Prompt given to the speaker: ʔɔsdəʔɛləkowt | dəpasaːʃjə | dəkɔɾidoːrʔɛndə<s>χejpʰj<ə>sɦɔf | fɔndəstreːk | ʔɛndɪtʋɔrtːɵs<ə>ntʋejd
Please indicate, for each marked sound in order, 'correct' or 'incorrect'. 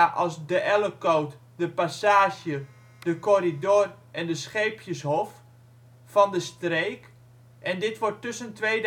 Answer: correct, correct, correct

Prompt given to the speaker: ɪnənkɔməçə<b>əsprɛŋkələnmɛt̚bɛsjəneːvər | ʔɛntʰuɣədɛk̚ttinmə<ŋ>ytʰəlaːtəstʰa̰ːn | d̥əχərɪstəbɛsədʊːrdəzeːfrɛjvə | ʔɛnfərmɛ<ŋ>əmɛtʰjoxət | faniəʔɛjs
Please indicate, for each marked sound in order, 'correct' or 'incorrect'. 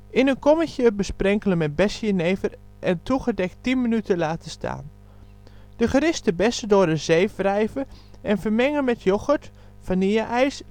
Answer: correct, incorrect, correct

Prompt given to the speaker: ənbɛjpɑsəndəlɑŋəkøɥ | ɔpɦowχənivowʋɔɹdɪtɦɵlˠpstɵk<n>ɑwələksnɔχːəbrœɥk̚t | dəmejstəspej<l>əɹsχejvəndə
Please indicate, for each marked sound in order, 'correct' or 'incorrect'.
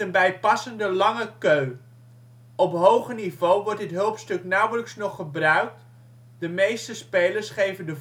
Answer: correct, correct

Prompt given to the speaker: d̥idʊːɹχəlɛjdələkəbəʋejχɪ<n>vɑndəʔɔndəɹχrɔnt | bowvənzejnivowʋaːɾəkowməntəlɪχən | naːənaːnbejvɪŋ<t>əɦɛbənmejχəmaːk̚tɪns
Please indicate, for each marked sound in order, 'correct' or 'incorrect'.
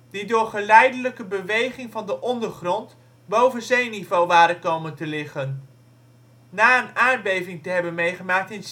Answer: incorrect, correct

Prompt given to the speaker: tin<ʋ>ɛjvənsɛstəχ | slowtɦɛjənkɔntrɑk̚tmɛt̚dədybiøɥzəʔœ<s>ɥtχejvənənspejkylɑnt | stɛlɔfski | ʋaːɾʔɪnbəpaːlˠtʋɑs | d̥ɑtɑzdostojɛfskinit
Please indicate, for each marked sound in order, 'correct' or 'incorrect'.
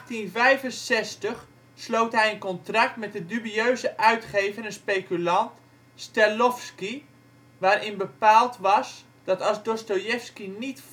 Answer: incorrect, incorrect

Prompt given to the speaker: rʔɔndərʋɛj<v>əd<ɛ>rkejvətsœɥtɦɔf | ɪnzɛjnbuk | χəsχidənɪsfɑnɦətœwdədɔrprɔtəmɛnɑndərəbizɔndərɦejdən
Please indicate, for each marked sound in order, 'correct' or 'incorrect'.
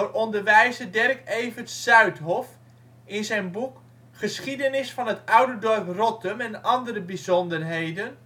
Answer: incorrect, correct

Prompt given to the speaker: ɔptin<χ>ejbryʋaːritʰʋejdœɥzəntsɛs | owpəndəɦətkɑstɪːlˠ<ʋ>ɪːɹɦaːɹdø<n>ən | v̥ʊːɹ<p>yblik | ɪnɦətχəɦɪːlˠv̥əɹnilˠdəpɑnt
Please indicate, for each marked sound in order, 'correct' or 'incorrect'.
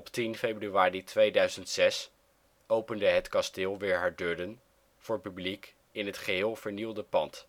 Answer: incorrect, correct, incorrect, correct

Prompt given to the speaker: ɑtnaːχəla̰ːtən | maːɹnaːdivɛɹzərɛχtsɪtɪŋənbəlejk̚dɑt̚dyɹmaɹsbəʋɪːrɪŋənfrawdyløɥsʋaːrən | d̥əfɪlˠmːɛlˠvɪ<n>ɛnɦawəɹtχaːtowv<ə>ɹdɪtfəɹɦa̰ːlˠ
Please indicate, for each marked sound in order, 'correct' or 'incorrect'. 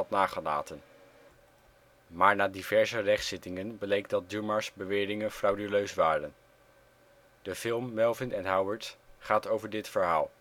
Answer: correct, correct

